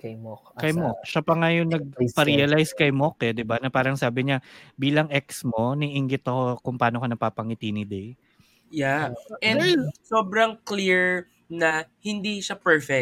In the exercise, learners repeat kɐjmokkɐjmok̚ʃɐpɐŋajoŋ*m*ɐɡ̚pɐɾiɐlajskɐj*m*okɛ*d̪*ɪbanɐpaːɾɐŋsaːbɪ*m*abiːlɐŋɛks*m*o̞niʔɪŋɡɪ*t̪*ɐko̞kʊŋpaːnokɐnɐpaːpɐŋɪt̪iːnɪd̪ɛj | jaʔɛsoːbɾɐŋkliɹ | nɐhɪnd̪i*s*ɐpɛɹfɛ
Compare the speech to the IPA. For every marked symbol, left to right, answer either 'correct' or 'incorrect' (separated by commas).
incorrect, correct, correct, incorrect, correct, correct, incorrect